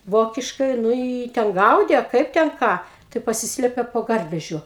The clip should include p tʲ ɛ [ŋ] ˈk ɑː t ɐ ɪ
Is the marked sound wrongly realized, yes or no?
yes